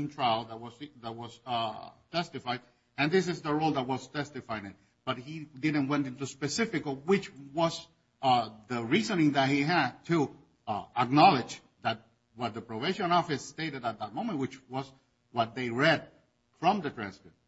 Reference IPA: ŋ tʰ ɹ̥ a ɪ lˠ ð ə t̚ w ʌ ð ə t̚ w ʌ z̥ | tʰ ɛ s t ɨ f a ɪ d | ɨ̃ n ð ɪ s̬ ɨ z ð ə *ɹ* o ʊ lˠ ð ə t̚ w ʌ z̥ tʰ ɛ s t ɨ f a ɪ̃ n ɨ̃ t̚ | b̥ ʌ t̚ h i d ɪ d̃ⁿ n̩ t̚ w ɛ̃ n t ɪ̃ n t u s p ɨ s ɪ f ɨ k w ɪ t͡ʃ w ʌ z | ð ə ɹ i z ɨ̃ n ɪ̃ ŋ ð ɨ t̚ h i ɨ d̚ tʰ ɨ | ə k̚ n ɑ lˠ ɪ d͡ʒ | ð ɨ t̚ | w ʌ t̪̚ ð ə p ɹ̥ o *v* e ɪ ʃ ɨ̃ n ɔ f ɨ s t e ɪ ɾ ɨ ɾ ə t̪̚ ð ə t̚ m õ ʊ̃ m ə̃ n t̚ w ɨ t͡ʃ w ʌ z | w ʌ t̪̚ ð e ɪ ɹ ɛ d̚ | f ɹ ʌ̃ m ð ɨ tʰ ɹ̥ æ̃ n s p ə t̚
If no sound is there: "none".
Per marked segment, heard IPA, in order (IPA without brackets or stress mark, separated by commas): ɹ, v